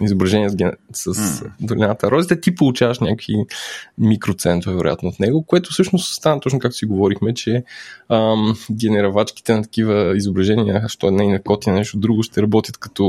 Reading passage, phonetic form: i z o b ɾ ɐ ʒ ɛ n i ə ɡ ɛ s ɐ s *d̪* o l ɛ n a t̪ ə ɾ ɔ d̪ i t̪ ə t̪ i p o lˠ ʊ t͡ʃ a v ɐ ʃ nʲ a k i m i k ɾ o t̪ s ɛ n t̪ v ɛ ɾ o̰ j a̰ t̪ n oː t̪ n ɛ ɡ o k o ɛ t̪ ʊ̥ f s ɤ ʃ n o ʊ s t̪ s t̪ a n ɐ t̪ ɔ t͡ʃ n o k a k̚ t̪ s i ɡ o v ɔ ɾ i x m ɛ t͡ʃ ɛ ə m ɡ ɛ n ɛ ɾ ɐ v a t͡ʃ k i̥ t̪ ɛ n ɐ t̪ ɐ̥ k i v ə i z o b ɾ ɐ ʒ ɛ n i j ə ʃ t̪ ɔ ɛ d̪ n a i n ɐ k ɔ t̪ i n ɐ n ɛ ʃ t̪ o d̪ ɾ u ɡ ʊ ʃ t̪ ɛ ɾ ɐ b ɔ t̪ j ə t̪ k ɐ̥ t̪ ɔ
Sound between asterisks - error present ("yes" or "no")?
no